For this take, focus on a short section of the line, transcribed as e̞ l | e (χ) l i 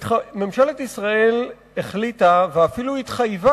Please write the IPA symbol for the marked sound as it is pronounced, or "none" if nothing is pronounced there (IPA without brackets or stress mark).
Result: χ